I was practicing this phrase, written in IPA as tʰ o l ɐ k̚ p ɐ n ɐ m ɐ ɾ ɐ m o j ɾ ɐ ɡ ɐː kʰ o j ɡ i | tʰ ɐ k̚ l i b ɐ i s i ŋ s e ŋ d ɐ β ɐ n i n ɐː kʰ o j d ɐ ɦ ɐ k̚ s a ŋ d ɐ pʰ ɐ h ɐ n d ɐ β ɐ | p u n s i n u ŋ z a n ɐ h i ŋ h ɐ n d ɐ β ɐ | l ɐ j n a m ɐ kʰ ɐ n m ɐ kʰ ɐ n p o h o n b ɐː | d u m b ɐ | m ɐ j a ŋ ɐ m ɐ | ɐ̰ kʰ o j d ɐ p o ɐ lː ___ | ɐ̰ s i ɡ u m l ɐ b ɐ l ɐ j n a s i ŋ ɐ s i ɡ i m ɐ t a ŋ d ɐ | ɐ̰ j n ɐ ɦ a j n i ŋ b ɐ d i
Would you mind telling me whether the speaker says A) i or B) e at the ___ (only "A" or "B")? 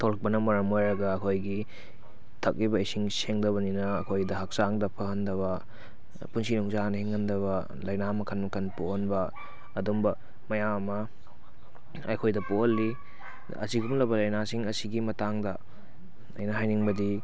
A